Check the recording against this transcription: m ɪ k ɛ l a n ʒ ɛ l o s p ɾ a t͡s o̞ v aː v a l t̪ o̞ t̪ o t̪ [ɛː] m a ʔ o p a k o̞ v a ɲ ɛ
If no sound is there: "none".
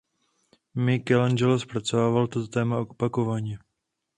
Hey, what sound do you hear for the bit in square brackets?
ɛː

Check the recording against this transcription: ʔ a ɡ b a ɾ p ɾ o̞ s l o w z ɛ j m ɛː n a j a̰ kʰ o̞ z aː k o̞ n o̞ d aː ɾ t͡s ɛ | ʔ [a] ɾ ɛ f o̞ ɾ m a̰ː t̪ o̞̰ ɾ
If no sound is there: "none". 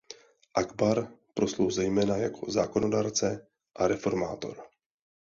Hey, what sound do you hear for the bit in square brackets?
a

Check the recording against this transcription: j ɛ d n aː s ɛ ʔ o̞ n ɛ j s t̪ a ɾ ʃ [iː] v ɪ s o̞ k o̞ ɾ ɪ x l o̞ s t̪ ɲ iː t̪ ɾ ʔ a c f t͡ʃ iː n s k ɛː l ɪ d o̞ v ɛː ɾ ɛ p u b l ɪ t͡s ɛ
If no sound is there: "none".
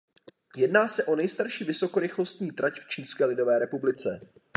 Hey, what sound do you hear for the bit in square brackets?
iː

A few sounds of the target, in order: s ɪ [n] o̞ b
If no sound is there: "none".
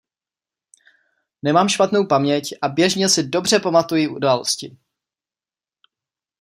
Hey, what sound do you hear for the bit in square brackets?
d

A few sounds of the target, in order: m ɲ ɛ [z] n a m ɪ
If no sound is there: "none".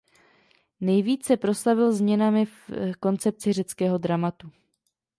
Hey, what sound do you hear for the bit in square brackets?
none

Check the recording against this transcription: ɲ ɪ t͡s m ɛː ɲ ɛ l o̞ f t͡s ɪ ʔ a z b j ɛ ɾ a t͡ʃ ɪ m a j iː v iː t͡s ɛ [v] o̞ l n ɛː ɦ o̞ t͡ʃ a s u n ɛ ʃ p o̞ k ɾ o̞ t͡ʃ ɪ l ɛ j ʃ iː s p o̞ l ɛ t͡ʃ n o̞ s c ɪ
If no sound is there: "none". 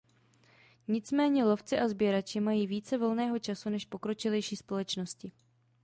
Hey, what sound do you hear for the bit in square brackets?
v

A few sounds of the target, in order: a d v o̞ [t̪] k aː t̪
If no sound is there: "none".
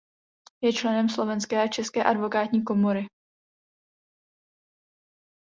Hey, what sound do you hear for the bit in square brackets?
none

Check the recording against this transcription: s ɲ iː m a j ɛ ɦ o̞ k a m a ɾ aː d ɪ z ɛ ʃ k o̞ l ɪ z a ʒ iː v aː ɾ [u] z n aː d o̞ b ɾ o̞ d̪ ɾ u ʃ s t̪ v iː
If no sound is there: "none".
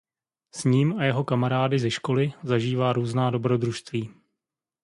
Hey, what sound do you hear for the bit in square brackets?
uː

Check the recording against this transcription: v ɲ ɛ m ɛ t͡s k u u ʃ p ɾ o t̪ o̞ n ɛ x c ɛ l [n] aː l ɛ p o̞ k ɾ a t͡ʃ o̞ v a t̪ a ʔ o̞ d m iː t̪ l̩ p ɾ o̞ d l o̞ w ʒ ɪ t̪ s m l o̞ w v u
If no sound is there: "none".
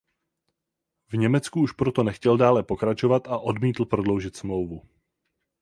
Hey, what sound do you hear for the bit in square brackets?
d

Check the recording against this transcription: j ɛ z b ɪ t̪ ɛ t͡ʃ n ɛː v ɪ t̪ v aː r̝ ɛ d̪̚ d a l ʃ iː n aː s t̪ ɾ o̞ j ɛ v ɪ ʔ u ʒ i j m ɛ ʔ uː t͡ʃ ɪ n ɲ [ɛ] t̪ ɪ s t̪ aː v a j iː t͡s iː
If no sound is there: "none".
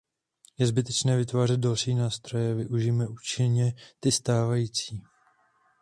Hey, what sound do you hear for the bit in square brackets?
ɛ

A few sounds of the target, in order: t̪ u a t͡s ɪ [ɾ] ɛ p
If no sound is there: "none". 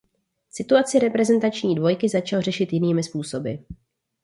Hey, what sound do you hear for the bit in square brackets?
ɾ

